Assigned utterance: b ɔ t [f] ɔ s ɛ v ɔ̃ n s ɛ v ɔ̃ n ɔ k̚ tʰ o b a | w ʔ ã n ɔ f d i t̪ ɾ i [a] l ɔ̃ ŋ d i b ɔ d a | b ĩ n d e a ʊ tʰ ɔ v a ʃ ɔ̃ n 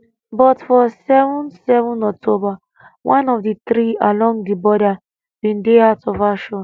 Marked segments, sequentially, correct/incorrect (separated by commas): correct, correct